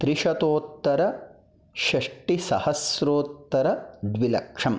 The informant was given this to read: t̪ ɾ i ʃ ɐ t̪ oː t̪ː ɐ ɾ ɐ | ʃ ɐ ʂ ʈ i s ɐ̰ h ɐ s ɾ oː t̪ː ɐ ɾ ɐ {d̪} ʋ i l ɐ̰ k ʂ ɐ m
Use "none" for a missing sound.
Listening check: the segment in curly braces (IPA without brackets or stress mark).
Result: d̪